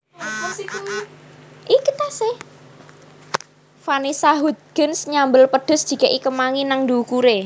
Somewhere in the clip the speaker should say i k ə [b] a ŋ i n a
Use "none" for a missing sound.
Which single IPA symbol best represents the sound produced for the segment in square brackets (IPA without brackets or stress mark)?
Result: m